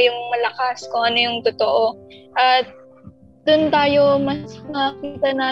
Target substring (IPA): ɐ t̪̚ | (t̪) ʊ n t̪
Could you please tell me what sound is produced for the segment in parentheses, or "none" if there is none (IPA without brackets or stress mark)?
d̪